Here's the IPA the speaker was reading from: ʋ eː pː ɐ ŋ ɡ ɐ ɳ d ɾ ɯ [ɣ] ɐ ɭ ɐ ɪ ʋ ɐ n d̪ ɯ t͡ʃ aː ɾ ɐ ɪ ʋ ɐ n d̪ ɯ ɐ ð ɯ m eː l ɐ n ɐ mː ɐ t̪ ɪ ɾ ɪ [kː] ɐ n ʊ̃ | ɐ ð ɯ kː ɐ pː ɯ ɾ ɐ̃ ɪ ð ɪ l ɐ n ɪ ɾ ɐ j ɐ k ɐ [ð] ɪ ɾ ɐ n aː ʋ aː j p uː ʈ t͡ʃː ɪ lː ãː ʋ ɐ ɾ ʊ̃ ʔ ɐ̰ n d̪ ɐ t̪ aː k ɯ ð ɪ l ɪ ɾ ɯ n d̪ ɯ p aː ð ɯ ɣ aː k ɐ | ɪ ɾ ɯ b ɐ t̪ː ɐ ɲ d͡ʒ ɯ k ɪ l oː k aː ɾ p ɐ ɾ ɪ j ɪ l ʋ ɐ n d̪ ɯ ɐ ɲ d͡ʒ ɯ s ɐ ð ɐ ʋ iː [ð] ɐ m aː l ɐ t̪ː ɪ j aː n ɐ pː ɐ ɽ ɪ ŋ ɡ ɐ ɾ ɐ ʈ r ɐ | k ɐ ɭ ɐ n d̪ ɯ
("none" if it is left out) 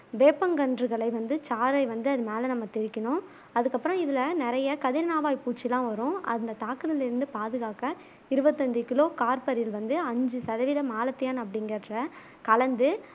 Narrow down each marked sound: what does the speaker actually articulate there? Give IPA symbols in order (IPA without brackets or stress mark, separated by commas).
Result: ɣ, kː, ð, ð